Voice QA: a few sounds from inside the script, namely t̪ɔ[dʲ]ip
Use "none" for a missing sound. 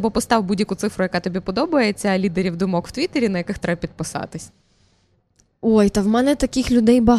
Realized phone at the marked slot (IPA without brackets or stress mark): bʲ